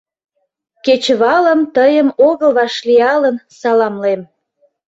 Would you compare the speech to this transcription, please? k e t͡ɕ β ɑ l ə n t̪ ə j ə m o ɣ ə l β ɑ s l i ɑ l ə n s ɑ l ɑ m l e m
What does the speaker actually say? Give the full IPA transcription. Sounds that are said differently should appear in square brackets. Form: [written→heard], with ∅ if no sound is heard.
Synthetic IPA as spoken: k e t͡ɕ β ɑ l ə [n→m] t̪ ə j ə m o ɣ ə l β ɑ [s→ʃ] l i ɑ l ə n s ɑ l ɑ m l e m